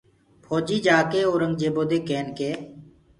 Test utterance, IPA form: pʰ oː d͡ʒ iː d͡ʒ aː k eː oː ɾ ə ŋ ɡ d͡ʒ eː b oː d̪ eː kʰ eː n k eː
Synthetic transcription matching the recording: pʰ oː d͡ʒ iː d͡ʒ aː k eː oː ɾ ə ŋ ɡ d͡ʒ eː b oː d̪ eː k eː n k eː